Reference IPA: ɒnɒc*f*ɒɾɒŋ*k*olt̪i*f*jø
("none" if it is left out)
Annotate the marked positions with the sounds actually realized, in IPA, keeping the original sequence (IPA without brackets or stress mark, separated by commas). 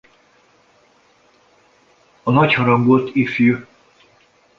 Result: h, ɡ, f